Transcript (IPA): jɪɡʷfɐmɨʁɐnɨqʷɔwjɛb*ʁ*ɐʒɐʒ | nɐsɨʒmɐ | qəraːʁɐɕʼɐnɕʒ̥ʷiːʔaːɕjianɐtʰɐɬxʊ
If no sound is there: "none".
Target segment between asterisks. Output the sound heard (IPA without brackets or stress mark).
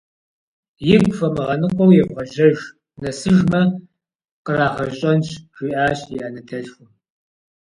ʁ